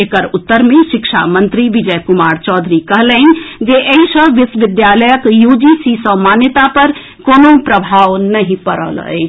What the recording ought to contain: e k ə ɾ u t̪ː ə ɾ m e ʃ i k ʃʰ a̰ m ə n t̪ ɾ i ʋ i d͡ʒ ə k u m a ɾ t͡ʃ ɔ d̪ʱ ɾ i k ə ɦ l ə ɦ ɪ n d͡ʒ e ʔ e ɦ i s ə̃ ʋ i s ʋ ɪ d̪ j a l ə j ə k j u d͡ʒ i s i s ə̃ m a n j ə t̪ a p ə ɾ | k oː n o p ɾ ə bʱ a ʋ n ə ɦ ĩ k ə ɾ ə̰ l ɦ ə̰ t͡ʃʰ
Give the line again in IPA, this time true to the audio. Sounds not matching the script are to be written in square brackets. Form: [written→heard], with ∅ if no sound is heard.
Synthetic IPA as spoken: e k ə ɾ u t̪ː ə ɾ m e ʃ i k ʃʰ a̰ m ə n t̪ ɾ i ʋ i d͡ʒ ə k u m a ɾ t͡ʃ ɔ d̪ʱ ɾ i k ə ɦ l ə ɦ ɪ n d͡ʒ e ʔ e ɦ i s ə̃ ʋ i s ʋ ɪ d̪ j a l ə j ə k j u d͡ʒ i s i s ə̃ m a n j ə t̪ a p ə ɾ | k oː n o p ɾ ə bʱ a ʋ n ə ɦ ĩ [k→p] ə ɾ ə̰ l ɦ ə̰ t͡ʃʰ